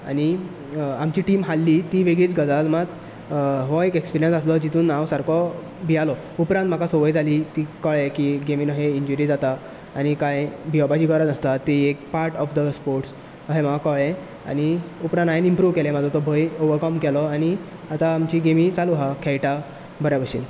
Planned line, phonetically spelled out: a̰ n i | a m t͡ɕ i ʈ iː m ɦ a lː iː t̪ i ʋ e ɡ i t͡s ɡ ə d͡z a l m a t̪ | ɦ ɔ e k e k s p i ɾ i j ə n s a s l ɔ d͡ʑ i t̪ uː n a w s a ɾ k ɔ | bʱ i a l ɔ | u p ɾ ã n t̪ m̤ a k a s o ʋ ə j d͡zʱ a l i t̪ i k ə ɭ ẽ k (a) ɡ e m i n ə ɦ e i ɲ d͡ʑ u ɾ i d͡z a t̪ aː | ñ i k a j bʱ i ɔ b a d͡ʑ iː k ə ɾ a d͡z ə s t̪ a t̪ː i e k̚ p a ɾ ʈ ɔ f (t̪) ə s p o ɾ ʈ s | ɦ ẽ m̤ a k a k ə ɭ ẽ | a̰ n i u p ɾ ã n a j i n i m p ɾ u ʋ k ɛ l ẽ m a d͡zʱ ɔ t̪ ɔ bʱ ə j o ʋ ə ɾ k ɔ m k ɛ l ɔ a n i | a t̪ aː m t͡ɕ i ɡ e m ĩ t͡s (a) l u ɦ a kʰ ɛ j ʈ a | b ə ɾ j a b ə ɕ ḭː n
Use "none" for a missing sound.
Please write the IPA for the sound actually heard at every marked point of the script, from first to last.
i, d̪, a

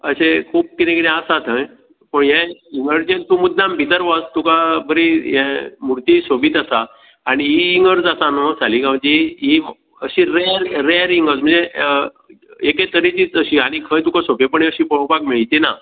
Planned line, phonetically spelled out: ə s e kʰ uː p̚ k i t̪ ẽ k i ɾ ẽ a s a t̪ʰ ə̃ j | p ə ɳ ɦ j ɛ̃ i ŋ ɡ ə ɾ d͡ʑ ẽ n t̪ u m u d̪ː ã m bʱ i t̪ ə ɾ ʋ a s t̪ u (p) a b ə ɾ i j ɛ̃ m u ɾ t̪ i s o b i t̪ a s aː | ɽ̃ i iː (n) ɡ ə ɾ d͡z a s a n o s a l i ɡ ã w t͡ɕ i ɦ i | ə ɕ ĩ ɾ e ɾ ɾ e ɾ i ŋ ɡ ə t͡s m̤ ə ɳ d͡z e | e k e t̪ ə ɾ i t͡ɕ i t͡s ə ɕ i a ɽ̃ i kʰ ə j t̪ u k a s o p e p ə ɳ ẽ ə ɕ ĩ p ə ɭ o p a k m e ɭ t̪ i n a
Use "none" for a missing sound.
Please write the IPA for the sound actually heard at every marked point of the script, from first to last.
k, ŋ

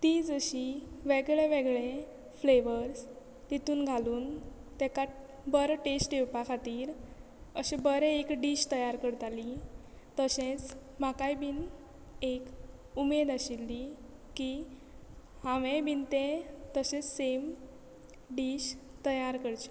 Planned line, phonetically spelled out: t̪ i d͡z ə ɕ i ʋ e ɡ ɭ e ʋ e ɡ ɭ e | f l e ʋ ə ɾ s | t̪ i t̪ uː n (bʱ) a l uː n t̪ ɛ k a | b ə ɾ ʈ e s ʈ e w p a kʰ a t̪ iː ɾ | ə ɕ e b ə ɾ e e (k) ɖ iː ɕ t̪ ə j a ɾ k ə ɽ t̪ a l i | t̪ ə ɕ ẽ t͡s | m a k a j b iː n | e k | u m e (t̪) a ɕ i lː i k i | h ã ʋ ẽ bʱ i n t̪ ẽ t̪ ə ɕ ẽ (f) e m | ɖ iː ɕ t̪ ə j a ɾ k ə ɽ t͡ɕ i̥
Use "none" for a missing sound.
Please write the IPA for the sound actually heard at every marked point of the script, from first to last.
ɡʱ, k, d̪, s

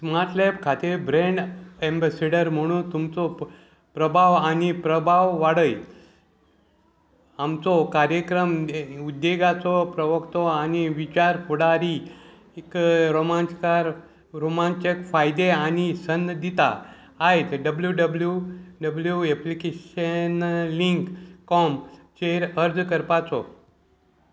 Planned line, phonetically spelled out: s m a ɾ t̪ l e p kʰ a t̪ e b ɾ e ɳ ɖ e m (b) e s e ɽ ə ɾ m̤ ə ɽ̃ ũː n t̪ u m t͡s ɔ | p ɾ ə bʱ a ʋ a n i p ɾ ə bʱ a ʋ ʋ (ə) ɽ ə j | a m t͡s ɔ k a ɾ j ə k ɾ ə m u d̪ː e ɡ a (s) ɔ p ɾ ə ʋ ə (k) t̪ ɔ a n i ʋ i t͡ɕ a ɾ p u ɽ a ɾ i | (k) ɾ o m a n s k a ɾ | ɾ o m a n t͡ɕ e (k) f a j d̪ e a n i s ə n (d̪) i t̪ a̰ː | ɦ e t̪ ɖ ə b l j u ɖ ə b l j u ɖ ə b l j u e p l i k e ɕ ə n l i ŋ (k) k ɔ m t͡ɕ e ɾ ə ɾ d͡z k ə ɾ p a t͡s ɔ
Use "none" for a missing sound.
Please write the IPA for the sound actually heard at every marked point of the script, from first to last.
b, a, t͡s, k, k, k, d̪, k

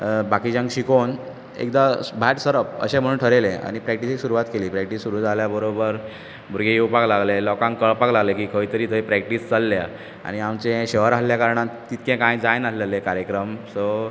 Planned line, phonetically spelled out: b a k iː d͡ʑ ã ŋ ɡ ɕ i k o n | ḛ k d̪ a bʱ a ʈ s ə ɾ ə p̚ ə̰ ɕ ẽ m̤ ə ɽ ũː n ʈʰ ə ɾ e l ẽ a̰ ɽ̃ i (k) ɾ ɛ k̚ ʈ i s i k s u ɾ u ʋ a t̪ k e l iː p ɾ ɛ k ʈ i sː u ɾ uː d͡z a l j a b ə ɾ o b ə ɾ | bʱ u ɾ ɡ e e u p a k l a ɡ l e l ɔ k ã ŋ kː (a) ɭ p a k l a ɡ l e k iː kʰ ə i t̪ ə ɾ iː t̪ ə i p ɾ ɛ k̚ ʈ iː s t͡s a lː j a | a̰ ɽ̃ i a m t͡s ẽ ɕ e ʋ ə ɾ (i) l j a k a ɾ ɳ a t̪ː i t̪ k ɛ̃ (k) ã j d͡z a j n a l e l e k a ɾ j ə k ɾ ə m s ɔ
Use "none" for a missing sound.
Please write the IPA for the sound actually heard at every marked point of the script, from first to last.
p, ə, a, k

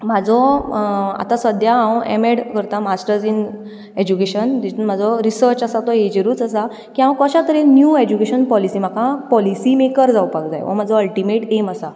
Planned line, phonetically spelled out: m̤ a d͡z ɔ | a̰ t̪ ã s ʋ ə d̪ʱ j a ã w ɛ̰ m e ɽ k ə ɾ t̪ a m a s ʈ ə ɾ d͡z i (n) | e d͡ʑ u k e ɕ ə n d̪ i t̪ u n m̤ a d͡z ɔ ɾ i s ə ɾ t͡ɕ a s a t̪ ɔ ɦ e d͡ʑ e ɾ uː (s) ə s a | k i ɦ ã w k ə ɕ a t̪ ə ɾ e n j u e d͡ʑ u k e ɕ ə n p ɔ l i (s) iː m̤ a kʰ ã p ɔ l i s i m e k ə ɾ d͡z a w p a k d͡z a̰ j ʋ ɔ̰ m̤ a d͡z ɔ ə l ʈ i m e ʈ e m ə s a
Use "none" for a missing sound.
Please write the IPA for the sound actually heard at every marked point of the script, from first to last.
n, t͡s, s

